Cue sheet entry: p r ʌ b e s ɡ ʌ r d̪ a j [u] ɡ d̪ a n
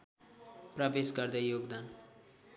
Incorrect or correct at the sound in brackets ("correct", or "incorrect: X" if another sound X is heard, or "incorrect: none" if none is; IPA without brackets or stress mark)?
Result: incorrect: o